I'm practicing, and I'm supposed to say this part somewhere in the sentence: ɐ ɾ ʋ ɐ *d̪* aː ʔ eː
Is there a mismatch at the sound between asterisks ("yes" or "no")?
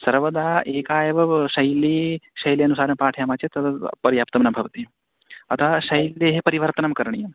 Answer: no